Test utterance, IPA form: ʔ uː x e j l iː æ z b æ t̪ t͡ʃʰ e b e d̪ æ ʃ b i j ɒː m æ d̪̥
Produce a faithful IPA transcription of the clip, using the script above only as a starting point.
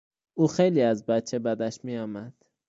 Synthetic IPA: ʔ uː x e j l iː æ z b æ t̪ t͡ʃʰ e b æ d̪ æ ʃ m i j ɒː m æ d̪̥

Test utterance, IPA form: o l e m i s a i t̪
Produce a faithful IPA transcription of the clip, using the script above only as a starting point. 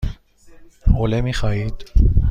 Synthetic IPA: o l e m i χ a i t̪

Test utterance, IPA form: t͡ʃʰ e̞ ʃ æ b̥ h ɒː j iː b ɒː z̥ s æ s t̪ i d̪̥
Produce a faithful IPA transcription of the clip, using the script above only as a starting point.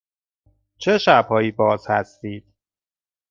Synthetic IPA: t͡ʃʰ e̞ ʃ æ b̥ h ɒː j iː b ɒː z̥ h æ s t̪ iː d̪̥

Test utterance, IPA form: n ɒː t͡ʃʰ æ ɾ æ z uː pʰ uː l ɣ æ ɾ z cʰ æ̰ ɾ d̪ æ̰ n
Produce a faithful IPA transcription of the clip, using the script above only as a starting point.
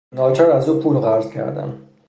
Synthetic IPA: n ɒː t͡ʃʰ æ ɾ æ z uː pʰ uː l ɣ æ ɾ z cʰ æ̰ ɾ d̪ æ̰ n

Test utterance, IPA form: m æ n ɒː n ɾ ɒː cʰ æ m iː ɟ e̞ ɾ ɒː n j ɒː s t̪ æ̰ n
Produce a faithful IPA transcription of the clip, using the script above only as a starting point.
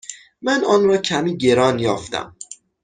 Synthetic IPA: m æ n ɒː n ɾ ɒː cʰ æ m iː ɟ e̞ ɾ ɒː n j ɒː f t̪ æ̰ m

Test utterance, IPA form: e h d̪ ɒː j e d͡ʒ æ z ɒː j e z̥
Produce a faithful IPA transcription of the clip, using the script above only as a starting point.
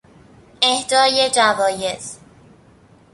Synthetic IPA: e h d̪ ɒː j e d͡ʒ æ v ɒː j e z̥

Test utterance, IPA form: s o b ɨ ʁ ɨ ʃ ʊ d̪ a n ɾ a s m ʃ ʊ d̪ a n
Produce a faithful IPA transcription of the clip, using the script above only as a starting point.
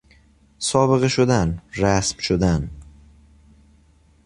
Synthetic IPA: s ɒ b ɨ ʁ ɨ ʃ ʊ d̪ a n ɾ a s m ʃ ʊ d̪ a n

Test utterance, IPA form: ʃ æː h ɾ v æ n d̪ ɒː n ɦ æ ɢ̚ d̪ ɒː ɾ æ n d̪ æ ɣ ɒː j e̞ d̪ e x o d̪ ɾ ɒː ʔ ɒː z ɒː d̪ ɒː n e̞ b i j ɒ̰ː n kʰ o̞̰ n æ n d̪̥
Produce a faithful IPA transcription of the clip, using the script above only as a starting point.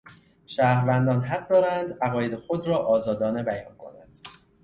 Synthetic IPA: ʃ æː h ɾ v æ n d̪ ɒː n ɦ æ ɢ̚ d̪ ɒː ɾ æ n d̪ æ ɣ ɒː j e̞ d̪ e x o d̪ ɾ ɒː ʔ ɒː z ɒː d̪ ɒː n e̞ b æ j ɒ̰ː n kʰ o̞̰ n æ n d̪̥

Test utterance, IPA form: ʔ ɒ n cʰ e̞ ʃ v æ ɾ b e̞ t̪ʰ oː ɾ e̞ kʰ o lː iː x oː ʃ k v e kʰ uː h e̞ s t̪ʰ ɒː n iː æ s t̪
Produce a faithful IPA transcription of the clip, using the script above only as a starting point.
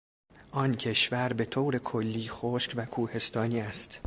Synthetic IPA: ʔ ɒ n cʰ e̞ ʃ v æ ɾ b e̞ t̪ʰ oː ɾ e̞ kʰ o lː iː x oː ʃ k v æ kʰ uː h e̞ s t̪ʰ ɒː n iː æ s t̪

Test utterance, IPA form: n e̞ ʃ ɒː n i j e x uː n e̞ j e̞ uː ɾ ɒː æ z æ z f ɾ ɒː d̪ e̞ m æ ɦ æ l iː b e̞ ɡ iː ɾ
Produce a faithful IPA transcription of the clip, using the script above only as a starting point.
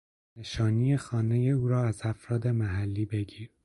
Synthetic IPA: n e̞ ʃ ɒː n i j e x ɒː n e̞ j e̞ uː ɾ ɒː æ z æ f ɾ ɒː d̪ e̞ m æ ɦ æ lː iː b e̞ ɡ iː ɾ

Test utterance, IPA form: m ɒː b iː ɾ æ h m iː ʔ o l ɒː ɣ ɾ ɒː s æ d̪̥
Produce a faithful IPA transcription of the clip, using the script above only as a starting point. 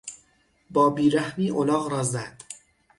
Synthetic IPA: b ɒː b iː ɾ æ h m iː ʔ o l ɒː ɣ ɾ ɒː z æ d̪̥

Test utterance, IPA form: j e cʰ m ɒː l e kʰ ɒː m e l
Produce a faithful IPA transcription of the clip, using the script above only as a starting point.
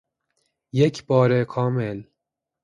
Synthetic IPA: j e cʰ b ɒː ɾ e kʰ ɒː m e l

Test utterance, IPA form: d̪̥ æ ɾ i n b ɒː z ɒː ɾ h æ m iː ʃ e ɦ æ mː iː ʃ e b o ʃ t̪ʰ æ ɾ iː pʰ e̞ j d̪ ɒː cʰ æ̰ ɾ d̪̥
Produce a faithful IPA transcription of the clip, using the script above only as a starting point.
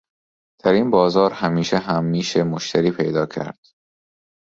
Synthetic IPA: d̪̥ æ ɾ i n b ɒː z ɒː ɾ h æ m iː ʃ e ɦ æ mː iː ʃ e m o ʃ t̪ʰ æ ɾ iː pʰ e̞ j d̪ ɒː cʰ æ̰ ɾ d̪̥

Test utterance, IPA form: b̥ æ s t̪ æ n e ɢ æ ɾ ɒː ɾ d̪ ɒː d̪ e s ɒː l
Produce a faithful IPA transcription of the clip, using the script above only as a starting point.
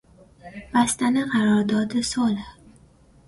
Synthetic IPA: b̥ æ s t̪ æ n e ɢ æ ɾ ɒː ɾ d̪ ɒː d̪ e s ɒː l

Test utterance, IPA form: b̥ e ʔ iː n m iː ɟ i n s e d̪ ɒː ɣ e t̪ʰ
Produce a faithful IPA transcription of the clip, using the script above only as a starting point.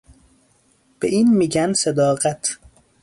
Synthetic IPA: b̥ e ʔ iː n m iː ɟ æ n s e d̪ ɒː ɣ æ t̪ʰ

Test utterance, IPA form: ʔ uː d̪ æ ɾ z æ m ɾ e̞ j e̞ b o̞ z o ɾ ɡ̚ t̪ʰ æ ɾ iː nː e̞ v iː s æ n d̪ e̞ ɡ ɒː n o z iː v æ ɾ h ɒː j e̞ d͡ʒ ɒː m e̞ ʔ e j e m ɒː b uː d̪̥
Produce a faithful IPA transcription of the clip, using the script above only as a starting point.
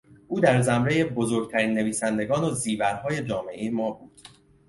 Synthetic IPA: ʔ uː d̪ æ ɾ z æ m ɾ e̞ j e̞ b o̞ z o ɾ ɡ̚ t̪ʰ æ ɾ iː nː e̞ v iː s æ n d̪ e̞ ɡ ɒː n o z iː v æ ɾ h ɒː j e̞ d͡ʒ ɒː m e̞ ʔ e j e m ɒː b uː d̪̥

